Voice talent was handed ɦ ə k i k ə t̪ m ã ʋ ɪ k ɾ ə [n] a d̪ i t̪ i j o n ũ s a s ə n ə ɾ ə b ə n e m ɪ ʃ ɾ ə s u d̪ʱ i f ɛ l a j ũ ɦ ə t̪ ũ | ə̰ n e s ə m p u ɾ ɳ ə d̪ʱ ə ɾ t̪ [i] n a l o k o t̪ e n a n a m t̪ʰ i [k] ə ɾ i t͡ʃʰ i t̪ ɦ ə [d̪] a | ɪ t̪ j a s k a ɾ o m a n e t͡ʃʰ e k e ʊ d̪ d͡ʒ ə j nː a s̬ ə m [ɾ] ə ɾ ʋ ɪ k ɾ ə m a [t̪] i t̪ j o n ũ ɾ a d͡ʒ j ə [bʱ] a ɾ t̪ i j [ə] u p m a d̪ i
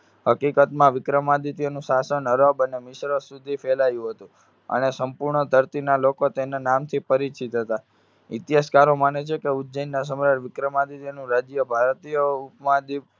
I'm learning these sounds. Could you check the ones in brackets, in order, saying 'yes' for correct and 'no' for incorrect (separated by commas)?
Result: no, yes, no, no, yes, no, yes, yes